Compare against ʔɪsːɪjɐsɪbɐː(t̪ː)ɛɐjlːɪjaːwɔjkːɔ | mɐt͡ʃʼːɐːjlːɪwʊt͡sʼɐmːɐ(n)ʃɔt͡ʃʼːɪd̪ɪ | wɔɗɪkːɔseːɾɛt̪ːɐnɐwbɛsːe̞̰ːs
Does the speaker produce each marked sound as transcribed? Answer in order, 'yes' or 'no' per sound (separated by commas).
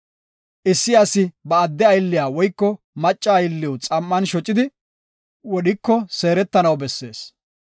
no, yes